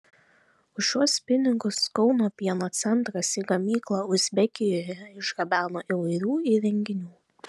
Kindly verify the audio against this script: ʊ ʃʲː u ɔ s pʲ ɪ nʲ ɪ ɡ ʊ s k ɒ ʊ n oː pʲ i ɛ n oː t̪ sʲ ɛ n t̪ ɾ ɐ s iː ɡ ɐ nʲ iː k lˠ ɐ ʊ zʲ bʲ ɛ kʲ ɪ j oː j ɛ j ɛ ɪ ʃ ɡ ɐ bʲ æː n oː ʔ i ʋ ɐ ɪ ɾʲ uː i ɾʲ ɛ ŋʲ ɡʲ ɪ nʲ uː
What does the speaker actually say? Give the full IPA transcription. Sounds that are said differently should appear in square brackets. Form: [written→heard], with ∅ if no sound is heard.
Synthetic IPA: ʊ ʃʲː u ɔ s pʲ ɪ nʲ ɪ ɡ ʊ s k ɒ ʊ n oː pʲ i ɛ n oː t̪ sʲ ɛ n t̪ ɾ ɐ s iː ɡ ɐ [nʲ→mʲ] iː k lˠ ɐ ʊ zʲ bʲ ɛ kʲ ɪ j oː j ɛ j ɛ ɪ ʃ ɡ ɐ bʲ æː n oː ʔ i ʋ ɐ ɪ ɾʲ uː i ɾʲ ɛ ŋʲ ɡʲ ɪ nʲ uː